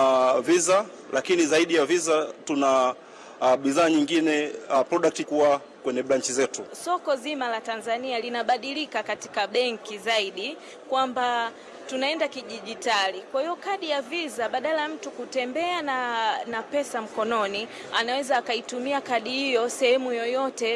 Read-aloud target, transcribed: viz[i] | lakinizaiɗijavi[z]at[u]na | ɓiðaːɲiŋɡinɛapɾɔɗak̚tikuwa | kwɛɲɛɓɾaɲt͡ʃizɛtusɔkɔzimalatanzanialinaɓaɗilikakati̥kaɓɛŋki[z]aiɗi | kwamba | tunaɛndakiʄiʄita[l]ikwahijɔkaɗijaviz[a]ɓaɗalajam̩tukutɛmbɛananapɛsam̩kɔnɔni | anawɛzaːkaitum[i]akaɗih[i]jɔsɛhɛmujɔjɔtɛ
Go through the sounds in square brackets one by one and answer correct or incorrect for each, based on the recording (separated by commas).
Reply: incorrect, correct, correct, correct, correct, correct, correct, correct